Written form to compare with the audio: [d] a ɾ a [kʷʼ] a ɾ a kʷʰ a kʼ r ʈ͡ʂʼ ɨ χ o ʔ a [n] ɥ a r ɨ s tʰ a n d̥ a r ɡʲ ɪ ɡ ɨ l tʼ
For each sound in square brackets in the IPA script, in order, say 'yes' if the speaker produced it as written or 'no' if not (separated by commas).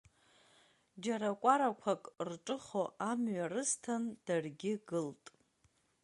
no, yes, no